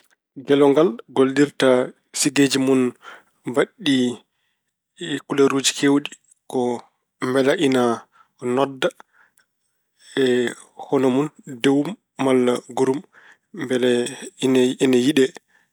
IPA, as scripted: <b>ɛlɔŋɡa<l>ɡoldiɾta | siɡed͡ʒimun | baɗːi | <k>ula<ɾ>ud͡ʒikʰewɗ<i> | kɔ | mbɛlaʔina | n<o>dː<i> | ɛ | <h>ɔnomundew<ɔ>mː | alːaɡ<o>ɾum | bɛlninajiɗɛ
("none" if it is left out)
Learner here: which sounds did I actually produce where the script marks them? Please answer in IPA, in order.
ɡ, l, k, ɾ, i, ɔ, a, h, u, u

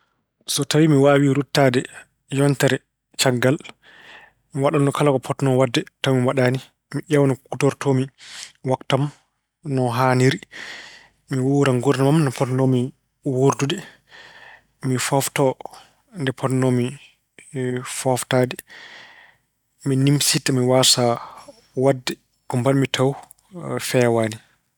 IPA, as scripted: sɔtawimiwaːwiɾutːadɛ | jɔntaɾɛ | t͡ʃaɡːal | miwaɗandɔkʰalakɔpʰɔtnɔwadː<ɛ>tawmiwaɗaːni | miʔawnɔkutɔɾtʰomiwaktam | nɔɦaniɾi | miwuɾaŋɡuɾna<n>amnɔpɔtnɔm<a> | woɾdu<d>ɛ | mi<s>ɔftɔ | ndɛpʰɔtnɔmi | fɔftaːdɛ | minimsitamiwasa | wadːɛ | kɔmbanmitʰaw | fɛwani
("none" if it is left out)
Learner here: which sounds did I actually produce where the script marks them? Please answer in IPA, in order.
ɛ, m, i, d, f

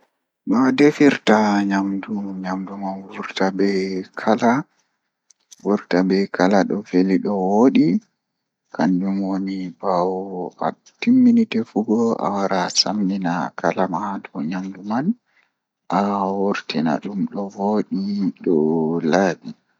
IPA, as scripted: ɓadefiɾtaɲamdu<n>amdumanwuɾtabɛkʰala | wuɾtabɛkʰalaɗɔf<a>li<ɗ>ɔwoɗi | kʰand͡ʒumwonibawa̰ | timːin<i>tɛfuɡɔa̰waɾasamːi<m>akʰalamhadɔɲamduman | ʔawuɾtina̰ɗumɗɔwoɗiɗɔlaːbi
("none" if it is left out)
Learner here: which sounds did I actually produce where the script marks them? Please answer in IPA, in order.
ɲ, e, ɗ, i, n

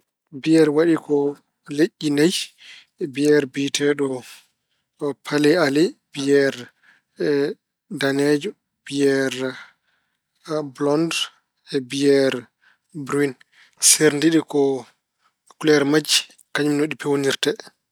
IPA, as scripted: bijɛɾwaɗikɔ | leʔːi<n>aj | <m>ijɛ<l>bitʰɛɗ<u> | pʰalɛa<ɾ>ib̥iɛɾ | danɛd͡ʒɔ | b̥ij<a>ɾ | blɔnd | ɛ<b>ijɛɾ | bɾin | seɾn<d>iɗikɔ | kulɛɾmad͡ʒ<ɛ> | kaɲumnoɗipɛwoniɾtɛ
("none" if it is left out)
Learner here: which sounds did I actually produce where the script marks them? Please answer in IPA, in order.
n, b, ɾ, ɔ, l, ɛ, b, d, i

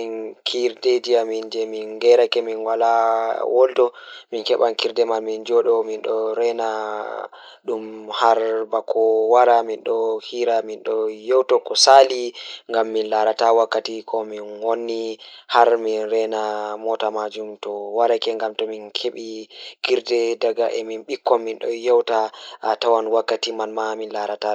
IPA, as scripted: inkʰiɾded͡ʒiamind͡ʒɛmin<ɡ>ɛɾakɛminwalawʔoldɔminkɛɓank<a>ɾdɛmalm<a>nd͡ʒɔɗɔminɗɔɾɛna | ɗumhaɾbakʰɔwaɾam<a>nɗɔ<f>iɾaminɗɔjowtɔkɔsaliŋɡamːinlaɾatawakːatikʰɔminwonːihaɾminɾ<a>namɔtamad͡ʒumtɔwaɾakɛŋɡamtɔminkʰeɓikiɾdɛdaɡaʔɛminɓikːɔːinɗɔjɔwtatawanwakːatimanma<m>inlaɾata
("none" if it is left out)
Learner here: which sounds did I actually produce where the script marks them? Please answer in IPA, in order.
ɡ, i, i, i, h, ɛ, m

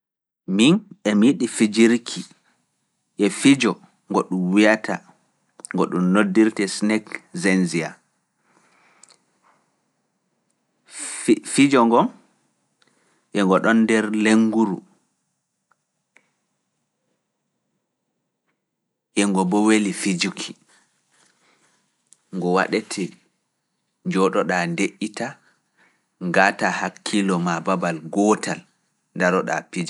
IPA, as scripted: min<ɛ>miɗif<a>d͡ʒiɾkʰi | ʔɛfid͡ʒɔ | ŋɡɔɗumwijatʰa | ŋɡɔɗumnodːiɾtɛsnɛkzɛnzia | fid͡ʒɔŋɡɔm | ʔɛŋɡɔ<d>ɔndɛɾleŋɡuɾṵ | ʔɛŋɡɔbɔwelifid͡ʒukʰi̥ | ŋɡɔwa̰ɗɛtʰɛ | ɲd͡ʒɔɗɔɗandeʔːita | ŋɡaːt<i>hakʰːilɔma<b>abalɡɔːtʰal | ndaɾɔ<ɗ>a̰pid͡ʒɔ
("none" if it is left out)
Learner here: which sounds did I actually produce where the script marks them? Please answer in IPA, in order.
ɛ, i, ɗ, a, b, ɗ

